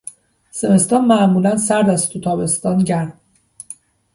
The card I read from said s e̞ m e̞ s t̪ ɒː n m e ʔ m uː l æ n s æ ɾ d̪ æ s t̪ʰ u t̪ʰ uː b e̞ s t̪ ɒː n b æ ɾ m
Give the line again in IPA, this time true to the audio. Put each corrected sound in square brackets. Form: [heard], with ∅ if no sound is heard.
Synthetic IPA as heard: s e̞ m e̞ s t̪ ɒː n m [æ] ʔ m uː l æ n s æ ɾ d̪ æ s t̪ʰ u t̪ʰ [ɒː] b e̞ s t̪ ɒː n [ɟ] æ ɾ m